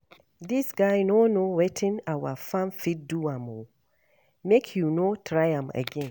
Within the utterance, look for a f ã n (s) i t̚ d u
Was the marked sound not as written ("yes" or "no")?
yes